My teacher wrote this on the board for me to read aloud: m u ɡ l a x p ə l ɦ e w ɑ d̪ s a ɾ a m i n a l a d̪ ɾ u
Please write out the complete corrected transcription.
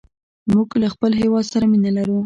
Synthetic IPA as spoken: m u ɡ l a x p ə l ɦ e w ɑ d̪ s a ɾ a m i n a l a ɾ u